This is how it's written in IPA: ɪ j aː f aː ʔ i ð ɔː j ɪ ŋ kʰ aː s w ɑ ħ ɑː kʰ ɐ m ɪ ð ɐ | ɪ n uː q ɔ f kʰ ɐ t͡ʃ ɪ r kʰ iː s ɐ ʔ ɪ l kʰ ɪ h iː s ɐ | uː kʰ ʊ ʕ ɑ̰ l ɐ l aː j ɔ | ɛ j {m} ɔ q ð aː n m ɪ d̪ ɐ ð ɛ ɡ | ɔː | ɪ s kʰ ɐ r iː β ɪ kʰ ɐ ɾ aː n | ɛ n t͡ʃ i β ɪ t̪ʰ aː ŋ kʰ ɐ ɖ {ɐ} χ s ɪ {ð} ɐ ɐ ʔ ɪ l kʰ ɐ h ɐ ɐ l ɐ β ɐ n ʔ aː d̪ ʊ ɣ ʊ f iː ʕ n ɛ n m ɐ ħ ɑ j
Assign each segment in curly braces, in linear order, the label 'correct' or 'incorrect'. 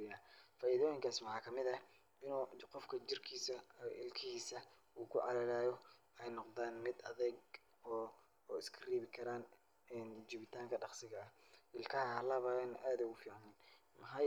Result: incorrect: n, incorrect: ɑ, incorrect: ɣ

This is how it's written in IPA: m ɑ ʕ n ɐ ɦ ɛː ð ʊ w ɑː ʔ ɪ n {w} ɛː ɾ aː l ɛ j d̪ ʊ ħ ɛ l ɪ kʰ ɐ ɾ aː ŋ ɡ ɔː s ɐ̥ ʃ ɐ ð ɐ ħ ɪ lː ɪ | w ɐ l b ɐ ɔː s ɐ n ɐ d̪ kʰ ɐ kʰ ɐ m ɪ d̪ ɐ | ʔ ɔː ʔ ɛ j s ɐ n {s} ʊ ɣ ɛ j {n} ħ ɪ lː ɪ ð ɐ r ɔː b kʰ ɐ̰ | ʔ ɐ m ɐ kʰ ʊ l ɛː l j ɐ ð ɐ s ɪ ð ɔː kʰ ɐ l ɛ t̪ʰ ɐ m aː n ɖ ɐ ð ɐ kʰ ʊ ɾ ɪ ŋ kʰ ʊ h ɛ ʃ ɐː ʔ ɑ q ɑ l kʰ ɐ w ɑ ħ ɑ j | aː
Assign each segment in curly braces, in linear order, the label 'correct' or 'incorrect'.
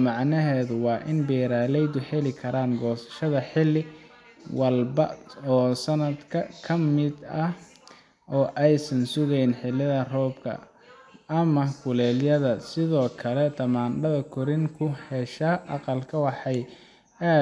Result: incorrect: b, correct, correct

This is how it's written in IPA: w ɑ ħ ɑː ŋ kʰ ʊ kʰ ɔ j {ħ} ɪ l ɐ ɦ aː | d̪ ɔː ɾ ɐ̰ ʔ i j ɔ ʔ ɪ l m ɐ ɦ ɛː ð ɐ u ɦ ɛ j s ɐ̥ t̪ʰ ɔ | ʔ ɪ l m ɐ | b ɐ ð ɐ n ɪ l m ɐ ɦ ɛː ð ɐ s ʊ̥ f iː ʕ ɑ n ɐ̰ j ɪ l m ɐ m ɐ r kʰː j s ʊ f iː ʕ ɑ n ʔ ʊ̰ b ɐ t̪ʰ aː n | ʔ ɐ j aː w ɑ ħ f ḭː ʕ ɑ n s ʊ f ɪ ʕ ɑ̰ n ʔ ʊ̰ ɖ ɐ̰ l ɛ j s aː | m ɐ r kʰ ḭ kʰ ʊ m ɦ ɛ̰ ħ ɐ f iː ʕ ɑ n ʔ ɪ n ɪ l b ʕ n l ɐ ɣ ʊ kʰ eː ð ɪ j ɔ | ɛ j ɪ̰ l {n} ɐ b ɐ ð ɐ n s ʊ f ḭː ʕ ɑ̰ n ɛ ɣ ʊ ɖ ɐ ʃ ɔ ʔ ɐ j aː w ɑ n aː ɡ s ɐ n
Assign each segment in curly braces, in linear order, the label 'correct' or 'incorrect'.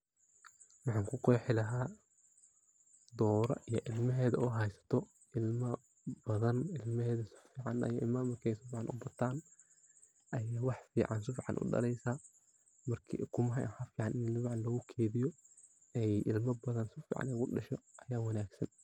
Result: correct, incorrect: m

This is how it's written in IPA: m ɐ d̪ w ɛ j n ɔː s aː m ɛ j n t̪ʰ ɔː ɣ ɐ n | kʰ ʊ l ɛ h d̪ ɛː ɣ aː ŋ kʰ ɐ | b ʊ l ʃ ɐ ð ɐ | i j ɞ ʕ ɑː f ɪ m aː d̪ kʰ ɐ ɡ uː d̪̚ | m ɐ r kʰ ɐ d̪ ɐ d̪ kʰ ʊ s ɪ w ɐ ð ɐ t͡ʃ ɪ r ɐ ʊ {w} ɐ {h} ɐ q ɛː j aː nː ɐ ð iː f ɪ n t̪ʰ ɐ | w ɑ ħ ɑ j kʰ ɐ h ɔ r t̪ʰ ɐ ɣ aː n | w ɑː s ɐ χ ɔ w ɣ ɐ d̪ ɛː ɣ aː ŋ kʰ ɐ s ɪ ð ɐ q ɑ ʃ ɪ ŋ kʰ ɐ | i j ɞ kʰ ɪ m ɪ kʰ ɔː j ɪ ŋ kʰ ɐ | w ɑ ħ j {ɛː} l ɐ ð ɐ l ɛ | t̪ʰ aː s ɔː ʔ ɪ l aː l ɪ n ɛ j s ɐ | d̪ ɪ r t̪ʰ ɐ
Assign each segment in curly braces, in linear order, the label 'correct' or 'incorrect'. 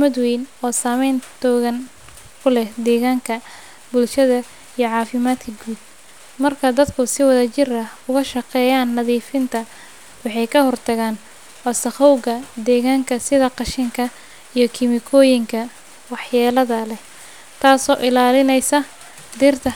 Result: incorrect: ɣ, incorrect: ʃ, incorrect: aː

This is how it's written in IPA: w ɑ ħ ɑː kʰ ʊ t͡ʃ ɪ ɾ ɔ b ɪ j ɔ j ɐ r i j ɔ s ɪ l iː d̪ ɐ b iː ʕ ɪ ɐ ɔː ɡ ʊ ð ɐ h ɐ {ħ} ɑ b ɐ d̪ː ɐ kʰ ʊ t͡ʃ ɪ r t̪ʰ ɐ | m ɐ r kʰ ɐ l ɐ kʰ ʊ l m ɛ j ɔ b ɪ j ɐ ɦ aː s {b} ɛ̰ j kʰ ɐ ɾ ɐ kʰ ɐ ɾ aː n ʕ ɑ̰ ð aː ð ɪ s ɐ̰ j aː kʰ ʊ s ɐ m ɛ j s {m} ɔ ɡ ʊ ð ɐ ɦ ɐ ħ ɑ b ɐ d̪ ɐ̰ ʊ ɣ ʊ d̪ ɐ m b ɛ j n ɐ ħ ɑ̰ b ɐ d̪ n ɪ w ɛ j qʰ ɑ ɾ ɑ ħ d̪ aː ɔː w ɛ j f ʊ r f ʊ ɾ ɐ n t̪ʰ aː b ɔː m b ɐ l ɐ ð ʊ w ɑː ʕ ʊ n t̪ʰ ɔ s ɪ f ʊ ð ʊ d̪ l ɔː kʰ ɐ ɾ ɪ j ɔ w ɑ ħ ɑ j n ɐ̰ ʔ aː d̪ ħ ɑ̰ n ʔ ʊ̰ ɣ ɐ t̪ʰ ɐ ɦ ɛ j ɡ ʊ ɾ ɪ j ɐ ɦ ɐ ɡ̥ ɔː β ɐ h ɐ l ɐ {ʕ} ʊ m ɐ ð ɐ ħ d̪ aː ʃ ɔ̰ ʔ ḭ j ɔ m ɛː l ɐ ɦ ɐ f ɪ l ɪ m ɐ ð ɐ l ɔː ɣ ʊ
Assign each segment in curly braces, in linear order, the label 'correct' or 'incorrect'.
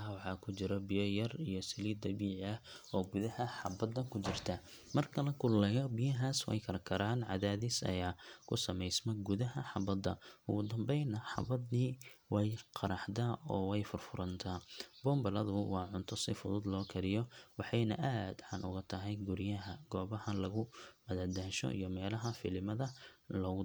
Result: correct, incorrect: w, correct, incorrect: ɣ

